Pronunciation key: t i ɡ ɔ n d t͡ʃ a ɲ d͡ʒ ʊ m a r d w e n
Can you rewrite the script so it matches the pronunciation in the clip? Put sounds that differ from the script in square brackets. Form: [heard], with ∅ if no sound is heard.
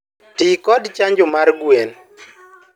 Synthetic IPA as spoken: t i [k] ɔ [∅] d t͡ʃ a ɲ d͡ʒ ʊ m a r [ɡ] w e n